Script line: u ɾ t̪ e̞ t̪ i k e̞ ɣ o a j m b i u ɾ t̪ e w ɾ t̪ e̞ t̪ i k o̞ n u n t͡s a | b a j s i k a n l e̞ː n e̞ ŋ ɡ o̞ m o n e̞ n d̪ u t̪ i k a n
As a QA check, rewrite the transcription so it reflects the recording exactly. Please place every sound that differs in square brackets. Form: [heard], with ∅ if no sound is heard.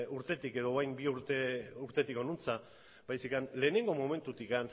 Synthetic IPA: u ɾ t̪ e̞ t̪ i k e̞ [ð] o a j m b i u ɾ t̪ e [u] ɾ t̪ e̞ t̪ i k o̞ n u n t͡s a | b a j s i k a n l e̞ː n e̞ ŋ ɡ o̞ m o [m] e̞ n [t̪] u t̪ i k a n